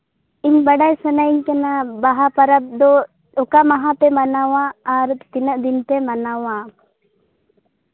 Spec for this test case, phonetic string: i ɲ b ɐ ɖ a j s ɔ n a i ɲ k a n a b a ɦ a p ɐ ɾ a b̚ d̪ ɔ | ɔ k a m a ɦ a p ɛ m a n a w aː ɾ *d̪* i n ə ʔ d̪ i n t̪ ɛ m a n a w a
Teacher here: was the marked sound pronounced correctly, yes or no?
no